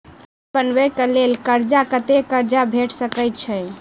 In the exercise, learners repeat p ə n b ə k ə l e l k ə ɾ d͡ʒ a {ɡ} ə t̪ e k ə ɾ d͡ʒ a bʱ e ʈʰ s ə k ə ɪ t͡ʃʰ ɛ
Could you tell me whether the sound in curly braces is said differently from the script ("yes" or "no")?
yes